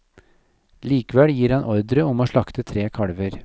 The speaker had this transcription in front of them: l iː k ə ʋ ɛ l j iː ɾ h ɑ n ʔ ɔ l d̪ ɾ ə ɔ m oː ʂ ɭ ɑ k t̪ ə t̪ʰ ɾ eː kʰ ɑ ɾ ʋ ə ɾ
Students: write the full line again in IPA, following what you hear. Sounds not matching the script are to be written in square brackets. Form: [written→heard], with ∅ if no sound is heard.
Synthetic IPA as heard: l iː k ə ʋ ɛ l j iː ɾ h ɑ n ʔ ɔ [l→ɾ] d̪ ɾ ə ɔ m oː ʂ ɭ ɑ k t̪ ə t̪ʰ ɾ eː kʰ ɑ [ɾ→ɽ] ʋ ə ɾ